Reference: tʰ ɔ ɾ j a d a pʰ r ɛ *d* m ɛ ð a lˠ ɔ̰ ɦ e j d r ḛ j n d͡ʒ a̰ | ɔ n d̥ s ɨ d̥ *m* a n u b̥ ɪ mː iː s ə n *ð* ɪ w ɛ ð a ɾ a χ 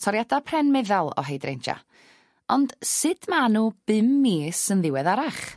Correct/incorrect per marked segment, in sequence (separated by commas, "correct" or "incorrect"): incorrect, correct, correct